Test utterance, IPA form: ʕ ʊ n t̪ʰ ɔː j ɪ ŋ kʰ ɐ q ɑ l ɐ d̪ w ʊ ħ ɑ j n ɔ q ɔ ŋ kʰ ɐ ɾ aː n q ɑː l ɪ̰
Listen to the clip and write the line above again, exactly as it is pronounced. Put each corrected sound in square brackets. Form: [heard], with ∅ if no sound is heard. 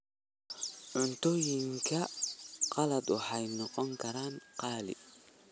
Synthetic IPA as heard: ʕ ʊ n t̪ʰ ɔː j ɪ ŋ kʰ ɐ q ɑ l ɐ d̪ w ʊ ħ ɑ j n ɔ q ɔ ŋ kʰ ɐ ɾ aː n q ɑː l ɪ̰